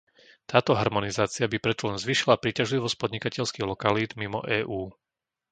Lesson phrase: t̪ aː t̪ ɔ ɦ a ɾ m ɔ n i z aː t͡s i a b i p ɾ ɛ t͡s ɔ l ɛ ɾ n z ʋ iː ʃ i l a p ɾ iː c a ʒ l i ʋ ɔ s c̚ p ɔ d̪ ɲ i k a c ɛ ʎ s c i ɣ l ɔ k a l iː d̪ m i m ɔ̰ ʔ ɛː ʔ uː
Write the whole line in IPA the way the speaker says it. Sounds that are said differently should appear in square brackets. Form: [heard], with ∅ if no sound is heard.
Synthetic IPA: t̪ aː t̪ ɔ ɦ a ɾ m ɔ n i z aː t͡s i a b i p ɾ ɛ t͡s ɔ l ɛ [∅] n z ʋ iː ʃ i l a p ɾ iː c a ʒ l i ʋ ɔ s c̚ p ɔ d̪ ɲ i k a c ɛ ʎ s [k] i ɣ l ɔ k a l iː d̪ m i m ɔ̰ ʔ ɛː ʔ uː